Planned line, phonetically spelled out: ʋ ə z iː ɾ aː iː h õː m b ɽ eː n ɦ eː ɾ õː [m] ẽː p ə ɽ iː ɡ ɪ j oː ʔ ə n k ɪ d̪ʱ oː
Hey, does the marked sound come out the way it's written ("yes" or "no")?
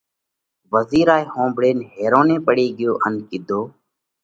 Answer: no